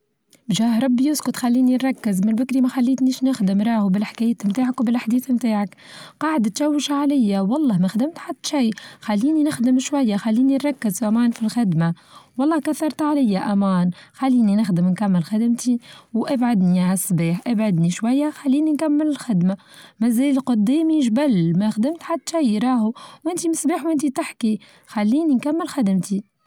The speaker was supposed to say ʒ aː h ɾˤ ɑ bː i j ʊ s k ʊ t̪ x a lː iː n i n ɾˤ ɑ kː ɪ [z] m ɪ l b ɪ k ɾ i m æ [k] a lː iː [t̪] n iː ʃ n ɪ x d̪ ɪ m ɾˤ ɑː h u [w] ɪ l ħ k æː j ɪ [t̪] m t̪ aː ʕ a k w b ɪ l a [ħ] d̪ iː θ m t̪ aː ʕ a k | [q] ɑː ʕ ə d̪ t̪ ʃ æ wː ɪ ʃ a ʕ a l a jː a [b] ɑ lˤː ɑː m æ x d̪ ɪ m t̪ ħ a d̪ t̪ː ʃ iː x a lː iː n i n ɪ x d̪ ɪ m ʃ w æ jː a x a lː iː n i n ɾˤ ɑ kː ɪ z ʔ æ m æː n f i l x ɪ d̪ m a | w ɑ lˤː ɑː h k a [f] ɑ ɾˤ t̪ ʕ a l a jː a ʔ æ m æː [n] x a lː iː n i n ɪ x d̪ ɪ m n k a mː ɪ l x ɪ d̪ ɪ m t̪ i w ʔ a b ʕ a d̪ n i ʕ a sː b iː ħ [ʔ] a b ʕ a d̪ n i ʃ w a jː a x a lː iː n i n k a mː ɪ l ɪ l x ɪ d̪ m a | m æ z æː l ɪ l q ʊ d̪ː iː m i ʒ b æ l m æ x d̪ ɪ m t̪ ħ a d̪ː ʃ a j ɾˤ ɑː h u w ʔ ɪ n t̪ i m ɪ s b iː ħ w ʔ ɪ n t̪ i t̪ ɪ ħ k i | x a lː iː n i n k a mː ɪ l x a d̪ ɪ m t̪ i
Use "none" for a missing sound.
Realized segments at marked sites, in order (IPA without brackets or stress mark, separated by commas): z, x, t̪, b, t̪, ħ, q, w, θ, n, ʔ